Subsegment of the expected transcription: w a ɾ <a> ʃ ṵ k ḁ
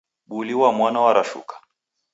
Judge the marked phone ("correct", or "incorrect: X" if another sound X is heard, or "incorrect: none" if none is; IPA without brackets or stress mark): correct